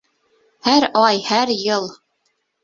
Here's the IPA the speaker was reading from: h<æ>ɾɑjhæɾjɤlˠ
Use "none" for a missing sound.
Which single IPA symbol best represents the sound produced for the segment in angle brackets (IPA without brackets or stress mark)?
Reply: æ